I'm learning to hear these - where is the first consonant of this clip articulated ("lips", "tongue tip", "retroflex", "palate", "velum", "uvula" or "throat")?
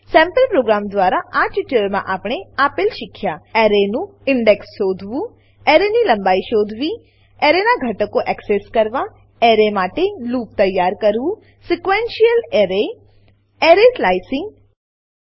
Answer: tongue tip